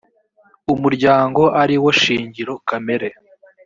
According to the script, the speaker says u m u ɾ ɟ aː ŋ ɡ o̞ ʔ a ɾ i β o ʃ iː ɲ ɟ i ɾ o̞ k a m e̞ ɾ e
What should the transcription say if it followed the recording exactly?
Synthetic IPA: u m u ɾ ɟ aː ŋ ɡ o̞ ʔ a ɾ i w o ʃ iː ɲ ɟ i ɾ o̞ k a m e̞ ɾ e